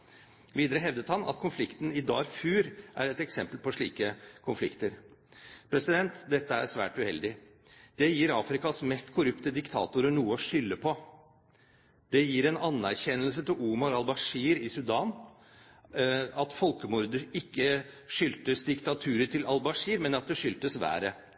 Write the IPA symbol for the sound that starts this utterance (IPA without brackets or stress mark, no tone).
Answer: ʋ